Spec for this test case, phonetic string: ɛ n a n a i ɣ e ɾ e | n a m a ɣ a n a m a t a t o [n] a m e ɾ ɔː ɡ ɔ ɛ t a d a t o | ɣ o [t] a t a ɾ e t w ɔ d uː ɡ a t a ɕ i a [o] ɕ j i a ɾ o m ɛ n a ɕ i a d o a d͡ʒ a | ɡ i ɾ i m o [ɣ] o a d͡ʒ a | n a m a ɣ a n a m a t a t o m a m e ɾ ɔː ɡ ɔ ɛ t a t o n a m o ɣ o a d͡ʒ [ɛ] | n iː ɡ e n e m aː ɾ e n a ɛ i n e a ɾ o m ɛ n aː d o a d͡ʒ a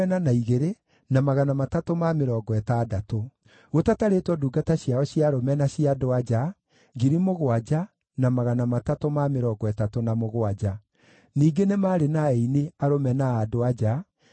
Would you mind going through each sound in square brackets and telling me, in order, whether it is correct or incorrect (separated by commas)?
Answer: incorrect, correct, incorrect, correct, incorrect